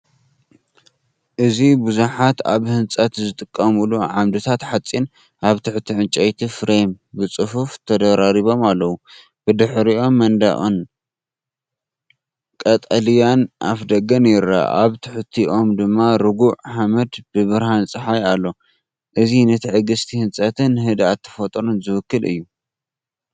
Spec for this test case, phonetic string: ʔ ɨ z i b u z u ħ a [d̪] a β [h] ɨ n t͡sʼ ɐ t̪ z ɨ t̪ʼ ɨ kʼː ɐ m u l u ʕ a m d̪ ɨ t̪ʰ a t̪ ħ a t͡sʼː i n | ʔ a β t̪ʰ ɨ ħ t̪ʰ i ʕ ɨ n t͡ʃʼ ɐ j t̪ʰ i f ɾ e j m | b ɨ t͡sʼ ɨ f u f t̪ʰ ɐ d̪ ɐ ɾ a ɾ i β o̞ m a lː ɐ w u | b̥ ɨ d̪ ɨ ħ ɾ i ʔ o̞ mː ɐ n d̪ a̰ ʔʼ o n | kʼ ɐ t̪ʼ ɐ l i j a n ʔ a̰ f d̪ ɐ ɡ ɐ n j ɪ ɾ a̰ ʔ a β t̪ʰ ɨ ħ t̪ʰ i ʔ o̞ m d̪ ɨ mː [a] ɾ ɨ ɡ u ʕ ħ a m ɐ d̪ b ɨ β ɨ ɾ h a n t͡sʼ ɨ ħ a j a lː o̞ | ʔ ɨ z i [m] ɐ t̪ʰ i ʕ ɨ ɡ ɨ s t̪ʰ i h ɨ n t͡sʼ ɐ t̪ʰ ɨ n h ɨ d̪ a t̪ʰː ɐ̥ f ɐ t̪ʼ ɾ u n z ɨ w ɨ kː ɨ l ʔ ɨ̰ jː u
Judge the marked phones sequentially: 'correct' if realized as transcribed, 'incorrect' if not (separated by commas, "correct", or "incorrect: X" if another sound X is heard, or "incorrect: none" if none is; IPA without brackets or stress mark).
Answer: incorrect: t̪, correct, correct, incorrect: n